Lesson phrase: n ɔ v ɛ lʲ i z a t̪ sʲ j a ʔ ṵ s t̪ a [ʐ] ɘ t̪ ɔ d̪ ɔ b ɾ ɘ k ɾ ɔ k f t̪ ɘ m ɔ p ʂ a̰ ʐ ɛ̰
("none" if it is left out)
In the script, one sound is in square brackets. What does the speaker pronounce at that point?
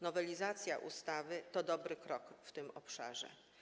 v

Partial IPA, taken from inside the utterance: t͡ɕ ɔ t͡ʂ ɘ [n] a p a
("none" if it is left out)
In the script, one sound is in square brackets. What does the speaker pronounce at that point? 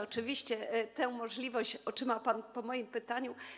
m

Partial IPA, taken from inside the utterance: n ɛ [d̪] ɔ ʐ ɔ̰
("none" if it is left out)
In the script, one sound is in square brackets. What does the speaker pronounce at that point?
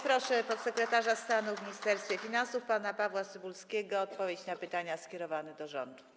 d̪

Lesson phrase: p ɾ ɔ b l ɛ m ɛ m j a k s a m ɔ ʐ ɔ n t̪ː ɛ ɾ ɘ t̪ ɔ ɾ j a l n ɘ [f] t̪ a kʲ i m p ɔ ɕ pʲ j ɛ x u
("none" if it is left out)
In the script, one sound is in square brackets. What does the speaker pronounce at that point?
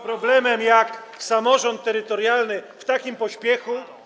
f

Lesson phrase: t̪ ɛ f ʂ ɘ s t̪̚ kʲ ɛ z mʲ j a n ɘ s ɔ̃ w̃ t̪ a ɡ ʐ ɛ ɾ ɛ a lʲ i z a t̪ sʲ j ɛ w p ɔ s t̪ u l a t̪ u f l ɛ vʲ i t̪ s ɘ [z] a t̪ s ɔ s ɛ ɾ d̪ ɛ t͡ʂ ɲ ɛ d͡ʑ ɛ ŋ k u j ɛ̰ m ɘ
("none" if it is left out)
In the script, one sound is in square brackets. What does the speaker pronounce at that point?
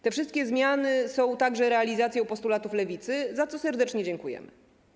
z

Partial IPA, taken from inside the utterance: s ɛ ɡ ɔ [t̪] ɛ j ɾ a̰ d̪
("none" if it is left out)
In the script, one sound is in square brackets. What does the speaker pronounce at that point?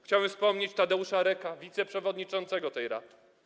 t̪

